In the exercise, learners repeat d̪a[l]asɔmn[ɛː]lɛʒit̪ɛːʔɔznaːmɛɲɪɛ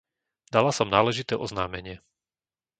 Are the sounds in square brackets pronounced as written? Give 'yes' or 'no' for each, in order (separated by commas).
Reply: yes, no